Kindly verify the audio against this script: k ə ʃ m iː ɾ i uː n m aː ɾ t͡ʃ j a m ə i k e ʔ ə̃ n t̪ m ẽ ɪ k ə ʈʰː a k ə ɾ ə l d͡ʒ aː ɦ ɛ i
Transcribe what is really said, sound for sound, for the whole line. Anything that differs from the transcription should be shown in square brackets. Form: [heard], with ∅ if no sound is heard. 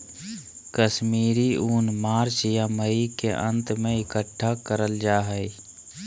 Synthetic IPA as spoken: k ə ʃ m iː ɾ i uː n m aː ɾ t͡ʃ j a m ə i k e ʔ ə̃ n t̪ m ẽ ɪ k ə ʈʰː a k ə ɾ ə l d͡ʒ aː ɦ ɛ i